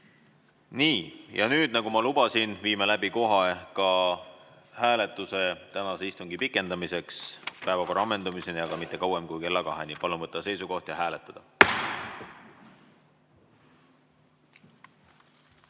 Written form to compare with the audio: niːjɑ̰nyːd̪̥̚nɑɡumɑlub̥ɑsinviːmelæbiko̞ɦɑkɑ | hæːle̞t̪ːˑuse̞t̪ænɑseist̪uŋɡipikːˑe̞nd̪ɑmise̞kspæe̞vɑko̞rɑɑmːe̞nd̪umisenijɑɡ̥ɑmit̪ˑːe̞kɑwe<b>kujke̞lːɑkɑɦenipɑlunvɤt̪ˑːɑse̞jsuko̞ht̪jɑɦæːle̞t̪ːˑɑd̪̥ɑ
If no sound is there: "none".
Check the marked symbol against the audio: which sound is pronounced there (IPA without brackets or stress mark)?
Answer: m